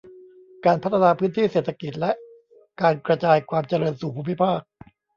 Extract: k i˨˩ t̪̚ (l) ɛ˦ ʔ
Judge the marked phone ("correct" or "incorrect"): correct